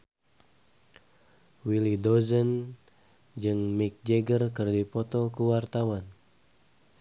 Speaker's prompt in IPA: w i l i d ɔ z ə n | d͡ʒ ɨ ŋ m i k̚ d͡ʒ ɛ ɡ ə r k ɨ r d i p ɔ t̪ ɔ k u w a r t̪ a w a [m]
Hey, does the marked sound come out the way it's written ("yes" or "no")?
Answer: no